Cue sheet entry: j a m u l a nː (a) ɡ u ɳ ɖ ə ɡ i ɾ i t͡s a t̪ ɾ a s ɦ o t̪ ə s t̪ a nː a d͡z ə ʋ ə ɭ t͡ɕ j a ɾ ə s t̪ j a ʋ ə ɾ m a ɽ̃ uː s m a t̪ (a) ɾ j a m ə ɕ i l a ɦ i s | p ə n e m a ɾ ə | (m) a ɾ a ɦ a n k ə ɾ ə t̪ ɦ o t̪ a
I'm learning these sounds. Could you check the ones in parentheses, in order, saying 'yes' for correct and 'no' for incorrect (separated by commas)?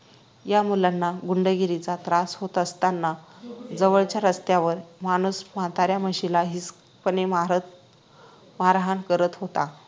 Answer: yes, yes, yes